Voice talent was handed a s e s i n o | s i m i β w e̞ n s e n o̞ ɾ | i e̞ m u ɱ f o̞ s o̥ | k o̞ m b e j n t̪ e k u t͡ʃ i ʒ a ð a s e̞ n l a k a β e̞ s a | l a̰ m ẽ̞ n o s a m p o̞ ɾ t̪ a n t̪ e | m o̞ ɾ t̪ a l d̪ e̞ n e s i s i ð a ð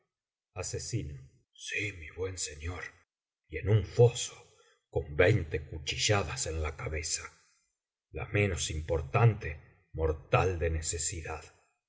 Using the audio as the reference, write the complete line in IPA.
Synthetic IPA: a s e s i n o | s i m i β w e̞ n s e ɲ o̞ ɾ | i e̞ n u ɱ f o̞ s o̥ | k o̞ m b e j n t̪ e k u t͡ʃ i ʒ a ð a s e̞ n l a k a β e̞ s a | l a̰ m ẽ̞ n o s i m p o̞ ɾ t̪ a n t̪ e | m o̞ ɾ t̪ a l d̪ e̞ n e s e s i ð a ð